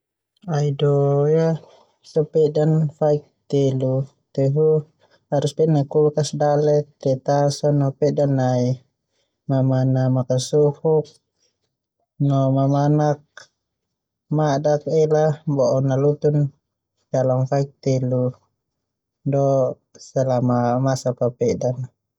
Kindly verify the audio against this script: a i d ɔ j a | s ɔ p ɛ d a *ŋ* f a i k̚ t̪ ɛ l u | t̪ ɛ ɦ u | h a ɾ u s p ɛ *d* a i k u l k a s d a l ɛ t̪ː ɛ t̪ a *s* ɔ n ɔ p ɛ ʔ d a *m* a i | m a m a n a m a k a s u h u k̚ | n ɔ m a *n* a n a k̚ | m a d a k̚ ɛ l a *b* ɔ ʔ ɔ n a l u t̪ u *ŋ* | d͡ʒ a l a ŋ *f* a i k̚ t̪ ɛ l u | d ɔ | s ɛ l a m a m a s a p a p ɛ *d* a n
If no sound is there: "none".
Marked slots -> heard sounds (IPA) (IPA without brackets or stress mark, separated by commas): n, n, s, n, m, b, n, f, d